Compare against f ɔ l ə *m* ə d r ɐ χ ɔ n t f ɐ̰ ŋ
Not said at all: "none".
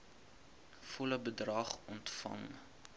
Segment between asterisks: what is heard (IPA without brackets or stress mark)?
b